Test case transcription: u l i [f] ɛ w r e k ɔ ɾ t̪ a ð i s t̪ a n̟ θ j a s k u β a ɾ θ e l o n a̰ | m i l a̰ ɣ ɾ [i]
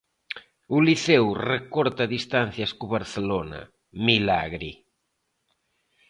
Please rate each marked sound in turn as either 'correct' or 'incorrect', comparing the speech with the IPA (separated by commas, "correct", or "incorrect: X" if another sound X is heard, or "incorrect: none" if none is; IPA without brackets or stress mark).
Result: incorrect: θ, correct